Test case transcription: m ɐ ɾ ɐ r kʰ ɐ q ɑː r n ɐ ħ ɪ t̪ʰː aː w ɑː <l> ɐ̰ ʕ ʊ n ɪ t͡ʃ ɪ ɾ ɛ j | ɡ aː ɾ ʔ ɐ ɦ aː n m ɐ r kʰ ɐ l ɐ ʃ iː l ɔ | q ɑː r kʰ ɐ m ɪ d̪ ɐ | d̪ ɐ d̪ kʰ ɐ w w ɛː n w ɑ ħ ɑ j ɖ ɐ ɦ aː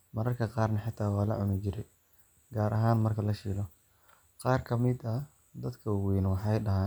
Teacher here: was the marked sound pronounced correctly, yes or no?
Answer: yes